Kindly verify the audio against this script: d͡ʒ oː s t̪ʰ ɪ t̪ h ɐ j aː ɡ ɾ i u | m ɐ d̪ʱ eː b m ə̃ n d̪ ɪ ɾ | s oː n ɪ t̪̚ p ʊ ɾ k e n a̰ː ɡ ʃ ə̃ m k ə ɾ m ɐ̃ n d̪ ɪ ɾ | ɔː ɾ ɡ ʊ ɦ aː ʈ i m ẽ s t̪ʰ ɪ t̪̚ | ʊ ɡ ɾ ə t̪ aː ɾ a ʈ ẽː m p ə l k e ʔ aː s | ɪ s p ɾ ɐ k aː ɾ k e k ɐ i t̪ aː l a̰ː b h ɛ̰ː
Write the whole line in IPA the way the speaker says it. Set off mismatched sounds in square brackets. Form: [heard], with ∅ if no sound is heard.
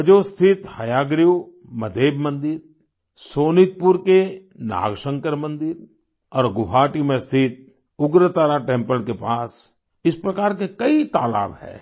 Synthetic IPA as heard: d͡ʒ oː s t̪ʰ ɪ t̪ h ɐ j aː ɡ ɾ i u | m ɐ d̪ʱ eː b m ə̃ n d̪ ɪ ɾ | s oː n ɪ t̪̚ p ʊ ɾ k e n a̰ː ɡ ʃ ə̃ [ŋ] k ə ɾ m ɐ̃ n d̪ ɪ ɾ | ɔː ɾ ɡ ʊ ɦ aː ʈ i m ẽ s t̪ʰ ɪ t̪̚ | ʊ ɡ ɾ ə t̪ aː ɾ a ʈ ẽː m p ə l k e [p] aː s | ɪ s p ɾ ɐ k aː ɾ k e k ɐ i t̪ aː l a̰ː b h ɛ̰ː